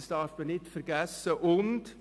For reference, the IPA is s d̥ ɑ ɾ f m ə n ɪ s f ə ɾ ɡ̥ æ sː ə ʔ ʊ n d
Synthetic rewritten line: s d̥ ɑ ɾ f m ə n ɪ t f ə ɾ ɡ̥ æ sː ə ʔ ʊ n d